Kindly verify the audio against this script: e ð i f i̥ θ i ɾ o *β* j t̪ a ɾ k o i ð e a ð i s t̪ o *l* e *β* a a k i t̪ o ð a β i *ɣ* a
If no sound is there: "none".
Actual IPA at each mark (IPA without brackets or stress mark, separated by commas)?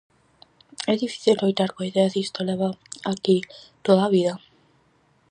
none, l, β, ð